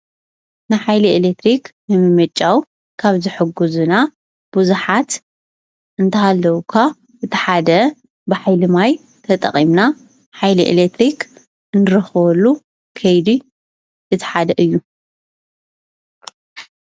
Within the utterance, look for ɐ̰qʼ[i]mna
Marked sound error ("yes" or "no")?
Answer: no